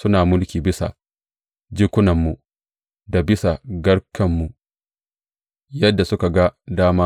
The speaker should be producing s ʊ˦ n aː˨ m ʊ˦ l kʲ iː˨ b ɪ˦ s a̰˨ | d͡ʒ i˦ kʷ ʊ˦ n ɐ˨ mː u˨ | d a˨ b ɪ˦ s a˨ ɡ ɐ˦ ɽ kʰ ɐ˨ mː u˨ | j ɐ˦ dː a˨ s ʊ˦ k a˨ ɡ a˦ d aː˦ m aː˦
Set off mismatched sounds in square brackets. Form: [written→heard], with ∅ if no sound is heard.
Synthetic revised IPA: s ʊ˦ n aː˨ m ʊ˦ l kʲ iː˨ b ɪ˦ s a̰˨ | d͡ʒ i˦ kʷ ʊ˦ n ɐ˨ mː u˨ | d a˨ b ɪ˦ s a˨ ɡ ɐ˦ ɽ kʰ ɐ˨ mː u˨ | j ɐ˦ dː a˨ s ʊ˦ k a˨ ɡ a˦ d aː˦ m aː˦